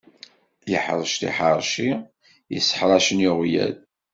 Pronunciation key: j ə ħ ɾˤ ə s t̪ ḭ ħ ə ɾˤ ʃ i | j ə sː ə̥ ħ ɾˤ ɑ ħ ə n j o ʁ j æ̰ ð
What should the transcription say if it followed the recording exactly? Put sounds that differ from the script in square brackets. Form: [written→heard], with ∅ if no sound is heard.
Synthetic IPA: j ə ħ ɾˤ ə [s→ʃ] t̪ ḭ ħ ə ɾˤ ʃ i | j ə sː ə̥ ħ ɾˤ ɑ [ħ→ʃ] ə n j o ʁ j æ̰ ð